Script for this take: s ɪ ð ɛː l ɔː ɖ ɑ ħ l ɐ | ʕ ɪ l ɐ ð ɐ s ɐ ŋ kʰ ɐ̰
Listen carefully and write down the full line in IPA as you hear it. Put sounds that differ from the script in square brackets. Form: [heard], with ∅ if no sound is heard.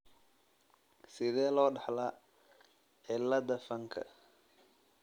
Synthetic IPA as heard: s ɪ ð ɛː l ɔː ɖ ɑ ħ l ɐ | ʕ ɪ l ɐ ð ɐ [f] ɐ ŋ kʰ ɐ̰